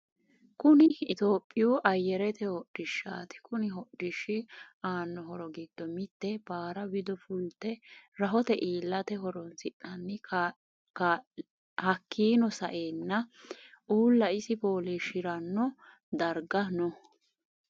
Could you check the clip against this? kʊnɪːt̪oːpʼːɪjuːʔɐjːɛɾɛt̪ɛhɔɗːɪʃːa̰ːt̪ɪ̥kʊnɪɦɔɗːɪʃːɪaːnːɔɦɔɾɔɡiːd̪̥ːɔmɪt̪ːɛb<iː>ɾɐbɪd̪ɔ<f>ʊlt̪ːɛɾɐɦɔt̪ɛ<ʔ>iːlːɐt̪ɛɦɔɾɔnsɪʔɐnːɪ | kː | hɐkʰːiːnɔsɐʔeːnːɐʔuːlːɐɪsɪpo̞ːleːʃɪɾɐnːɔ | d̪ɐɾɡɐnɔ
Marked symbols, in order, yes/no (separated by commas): no, yes, yes